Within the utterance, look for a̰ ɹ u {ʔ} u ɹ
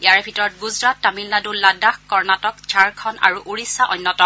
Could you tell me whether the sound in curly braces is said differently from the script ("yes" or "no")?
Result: no